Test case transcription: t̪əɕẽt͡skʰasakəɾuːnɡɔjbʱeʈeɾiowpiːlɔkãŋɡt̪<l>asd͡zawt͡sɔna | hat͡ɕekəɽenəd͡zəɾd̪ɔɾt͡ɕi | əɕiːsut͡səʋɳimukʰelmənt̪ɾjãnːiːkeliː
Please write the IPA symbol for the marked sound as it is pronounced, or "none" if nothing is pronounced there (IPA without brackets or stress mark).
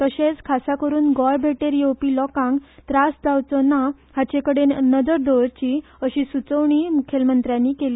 ɾ